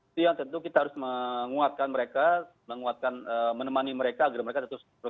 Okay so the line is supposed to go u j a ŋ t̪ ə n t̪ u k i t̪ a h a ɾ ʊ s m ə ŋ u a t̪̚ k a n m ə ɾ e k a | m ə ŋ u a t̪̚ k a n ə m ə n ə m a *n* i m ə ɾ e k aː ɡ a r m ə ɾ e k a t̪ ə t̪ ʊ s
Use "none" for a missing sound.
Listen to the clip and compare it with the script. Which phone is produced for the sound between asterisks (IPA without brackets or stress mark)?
n